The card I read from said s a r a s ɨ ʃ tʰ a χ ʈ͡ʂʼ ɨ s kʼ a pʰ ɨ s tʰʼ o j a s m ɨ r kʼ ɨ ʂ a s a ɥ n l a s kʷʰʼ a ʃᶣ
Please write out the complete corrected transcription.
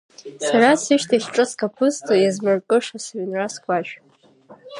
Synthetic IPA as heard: s a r a s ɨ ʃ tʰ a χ ʈ͡ʂʼ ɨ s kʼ a pʰ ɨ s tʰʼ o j a z m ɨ r kʼ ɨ ʂ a s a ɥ n r a s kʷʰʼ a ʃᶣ